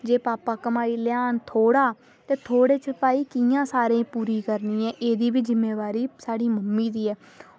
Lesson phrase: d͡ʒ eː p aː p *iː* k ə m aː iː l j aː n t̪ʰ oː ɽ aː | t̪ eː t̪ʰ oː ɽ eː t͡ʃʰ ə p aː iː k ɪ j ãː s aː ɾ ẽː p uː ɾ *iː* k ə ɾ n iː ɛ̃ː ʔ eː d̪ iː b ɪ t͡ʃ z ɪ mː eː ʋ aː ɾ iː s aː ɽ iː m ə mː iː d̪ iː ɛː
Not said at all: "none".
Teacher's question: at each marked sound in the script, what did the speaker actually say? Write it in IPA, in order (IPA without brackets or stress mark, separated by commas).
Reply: aː, iː